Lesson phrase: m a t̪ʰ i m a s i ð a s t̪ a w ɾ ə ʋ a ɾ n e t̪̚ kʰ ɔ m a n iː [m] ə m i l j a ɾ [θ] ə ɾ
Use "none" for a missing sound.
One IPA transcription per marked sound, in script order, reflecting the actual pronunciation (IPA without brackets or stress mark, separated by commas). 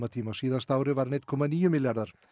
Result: none, ð